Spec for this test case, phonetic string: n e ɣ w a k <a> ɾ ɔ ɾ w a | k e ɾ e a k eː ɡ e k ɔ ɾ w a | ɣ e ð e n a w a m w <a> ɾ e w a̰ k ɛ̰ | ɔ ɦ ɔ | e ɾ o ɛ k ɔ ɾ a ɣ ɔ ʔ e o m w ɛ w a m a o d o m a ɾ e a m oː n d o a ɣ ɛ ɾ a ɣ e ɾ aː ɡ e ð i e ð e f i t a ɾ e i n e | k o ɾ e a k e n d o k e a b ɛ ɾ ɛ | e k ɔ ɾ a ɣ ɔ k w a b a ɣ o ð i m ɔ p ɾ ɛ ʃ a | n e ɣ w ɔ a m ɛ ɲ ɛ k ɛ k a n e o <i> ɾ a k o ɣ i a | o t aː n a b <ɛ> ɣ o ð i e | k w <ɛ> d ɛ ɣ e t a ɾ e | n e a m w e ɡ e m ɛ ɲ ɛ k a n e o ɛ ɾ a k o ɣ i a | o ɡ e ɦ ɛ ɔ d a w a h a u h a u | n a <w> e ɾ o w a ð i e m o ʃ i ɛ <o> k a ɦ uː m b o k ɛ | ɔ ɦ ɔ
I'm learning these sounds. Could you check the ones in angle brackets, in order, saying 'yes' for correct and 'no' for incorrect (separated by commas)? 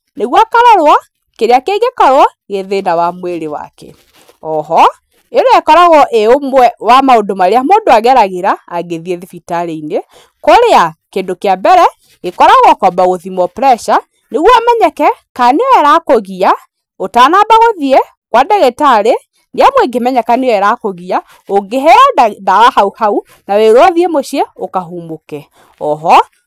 yes, no, no, no, no, yes, yes